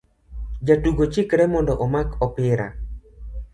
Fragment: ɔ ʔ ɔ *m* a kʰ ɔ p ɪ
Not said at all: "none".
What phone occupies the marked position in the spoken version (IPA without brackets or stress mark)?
m